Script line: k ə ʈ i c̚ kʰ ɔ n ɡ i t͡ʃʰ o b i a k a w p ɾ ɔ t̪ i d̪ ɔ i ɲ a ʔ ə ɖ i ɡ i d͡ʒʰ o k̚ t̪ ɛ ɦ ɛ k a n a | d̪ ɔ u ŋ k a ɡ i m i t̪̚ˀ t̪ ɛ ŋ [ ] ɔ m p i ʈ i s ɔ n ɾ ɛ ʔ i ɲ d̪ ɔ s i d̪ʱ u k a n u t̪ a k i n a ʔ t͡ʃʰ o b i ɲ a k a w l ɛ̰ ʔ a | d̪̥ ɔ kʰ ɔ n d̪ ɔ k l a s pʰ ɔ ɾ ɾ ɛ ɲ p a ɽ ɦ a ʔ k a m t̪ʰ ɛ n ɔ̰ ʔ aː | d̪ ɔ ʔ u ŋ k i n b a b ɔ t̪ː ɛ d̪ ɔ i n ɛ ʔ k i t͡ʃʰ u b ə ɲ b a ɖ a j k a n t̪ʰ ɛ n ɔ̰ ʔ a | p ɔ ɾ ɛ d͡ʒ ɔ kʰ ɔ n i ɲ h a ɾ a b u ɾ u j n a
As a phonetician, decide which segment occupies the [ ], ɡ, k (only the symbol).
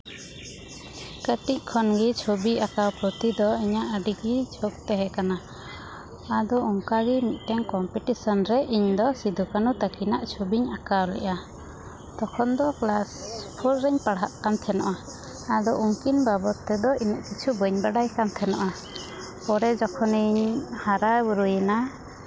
k